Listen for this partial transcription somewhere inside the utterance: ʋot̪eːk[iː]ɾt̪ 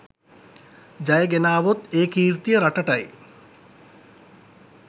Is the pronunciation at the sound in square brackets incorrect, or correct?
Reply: correct